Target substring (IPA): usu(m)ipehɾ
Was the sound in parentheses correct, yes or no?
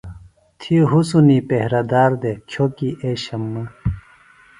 no